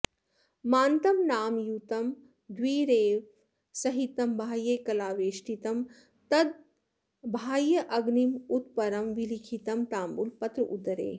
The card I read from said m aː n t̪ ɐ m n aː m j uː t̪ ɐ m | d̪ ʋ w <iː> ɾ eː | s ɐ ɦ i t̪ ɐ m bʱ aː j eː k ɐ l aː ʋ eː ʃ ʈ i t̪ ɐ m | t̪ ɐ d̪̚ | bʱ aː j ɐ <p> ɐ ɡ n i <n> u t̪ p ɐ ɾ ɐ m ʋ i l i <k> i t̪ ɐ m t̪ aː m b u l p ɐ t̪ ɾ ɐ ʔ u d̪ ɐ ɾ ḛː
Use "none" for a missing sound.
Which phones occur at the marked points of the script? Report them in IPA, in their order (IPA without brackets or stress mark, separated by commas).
iː, ʔ, m, kʰ